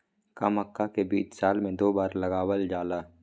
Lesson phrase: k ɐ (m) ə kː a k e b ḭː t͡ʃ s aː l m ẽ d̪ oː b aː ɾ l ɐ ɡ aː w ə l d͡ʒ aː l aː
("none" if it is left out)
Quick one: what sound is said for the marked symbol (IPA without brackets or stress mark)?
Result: m